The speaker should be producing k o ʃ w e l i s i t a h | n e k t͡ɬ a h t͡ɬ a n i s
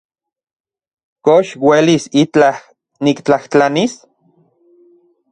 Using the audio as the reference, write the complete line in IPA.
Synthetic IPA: k o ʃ w e l i s i t͡ɬ a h | n i k t͡ɬ a h t͡ɬ a n i s

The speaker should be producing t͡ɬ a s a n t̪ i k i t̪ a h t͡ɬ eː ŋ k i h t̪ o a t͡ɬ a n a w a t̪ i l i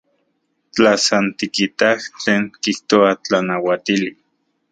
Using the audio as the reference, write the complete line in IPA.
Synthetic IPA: t͡ɬ a s a n t̪ i k i t̪ a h t͡ɬ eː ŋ k i h t̪ o a t͡ɬ a n a w a t̪ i l i

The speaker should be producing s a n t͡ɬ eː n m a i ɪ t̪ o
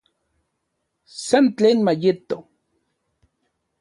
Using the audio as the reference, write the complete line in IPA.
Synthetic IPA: s a n t͡ɬ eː n m a j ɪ t̪ o

